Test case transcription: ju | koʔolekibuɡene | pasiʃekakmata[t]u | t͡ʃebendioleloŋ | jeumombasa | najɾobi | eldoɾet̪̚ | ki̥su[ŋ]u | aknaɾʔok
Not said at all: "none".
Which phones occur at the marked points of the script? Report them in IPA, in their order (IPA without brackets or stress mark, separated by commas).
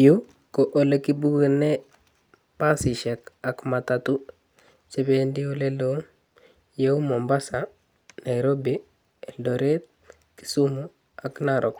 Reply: t, m